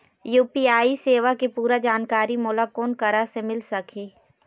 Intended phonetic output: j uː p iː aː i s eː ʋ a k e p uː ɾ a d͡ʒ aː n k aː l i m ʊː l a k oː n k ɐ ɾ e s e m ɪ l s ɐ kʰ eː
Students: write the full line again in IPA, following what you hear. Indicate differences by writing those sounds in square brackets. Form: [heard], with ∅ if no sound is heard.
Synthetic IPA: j uː p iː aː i s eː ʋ a k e p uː ɾ a d͡ʒ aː n k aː [ɾ] i m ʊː l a k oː n k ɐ ɾ [a] s e m ɪ l s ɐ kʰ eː